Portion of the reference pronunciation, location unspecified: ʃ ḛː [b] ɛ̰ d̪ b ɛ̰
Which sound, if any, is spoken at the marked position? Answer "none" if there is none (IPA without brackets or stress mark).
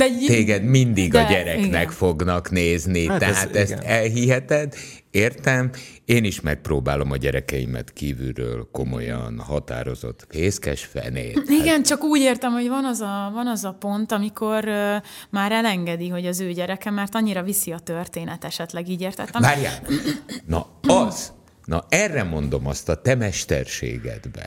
ɡ